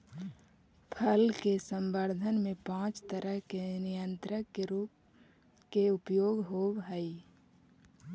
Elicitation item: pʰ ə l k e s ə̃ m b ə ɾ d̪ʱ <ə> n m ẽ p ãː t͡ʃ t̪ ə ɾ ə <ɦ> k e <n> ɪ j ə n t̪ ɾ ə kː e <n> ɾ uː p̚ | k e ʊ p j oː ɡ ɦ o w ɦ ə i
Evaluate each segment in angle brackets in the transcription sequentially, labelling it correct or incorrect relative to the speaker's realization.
correct, correct, correct, incorrect: none

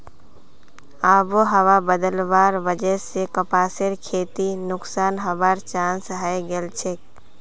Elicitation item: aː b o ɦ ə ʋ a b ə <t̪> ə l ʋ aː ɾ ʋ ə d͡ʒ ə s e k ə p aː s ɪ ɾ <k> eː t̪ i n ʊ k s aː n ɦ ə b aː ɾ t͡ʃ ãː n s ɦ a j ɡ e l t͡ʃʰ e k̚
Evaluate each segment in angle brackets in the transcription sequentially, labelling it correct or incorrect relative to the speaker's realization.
incorrect: d̪, incorrect: kʰ

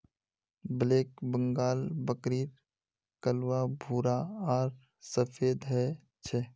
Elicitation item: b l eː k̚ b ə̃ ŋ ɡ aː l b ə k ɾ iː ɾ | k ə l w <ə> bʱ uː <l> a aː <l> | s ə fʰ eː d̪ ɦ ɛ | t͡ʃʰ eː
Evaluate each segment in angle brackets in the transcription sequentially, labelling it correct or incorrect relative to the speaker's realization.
incorrect: a, incorrect: ɾ, incorrect: ɾ

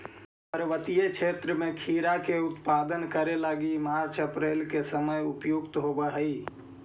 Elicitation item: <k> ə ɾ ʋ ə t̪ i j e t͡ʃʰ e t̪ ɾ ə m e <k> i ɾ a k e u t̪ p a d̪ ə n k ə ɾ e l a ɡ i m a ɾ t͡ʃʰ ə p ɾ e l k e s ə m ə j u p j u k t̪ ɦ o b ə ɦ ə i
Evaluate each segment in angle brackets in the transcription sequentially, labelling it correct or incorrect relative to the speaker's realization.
incorrect: p, incorrect: kʰ

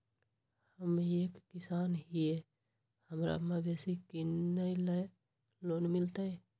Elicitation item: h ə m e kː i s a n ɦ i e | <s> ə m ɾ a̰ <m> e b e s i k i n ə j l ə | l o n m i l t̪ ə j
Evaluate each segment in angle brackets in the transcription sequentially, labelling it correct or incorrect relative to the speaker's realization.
incorrect: h, correct

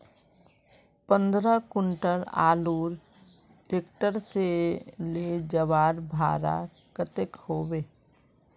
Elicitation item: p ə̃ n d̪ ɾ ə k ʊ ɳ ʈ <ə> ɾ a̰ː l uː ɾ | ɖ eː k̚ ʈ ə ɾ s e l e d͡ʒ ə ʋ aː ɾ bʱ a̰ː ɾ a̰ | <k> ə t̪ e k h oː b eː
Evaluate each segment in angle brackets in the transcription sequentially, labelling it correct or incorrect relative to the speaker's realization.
correct, correct

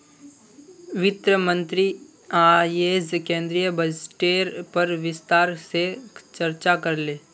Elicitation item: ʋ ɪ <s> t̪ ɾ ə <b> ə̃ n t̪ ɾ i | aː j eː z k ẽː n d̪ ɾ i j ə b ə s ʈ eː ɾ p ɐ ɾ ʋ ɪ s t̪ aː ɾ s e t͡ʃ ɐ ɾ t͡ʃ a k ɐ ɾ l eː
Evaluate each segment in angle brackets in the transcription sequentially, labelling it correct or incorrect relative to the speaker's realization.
incorrect: none, incorrect: m

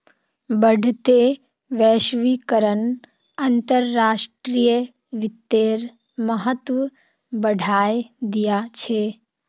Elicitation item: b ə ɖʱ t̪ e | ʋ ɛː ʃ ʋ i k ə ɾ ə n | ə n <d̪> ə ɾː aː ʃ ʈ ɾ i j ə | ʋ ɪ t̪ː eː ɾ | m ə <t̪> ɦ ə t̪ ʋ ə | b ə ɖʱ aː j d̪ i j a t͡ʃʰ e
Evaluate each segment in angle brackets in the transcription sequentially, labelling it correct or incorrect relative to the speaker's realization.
incorrect: t̪, incorrect: none

